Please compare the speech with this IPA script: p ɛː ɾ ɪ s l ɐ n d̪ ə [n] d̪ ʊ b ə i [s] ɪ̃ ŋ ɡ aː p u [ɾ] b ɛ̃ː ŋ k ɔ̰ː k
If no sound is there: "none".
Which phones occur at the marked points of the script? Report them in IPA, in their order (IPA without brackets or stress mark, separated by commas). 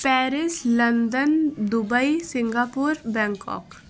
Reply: n, s, ɾ